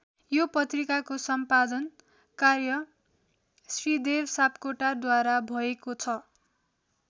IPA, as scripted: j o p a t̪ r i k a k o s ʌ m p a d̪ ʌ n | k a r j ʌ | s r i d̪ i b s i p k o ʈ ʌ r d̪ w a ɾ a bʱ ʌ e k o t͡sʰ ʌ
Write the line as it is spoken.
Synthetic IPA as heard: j o p ʌ t̪ r i k a k o s ʌ m p a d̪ ʌ n | k a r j ʌ | s r i d̪ e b s a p k o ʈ a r d̪ w a ɾ a bʱ ʌ e k o t͡sʰ ʌ